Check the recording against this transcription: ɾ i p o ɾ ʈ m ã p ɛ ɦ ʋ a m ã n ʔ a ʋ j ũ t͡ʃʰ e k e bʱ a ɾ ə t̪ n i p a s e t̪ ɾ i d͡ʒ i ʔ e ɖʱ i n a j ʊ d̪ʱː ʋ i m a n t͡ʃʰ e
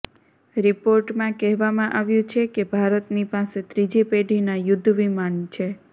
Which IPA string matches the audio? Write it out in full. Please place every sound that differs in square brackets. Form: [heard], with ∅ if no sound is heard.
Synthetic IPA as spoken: ɾ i p o ɾ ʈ m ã [k] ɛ ɦ ʋ a m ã [∅] ʔ a ʋ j ũ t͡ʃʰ e k e bʱ a ɾ ə t̪ n i p a s e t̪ ɾ i d͡ʒ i [p] e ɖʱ i n a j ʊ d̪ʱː ʋ i m a n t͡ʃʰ e